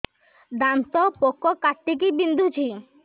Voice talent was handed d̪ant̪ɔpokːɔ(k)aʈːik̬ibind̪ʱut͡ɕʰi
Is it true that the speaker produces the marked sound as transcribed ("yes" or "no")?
yes